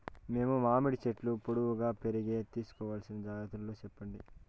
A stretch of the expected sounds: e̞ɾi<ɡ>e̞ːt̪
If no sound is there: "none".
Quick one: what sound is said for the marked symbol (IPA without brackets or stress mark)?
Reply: ɡ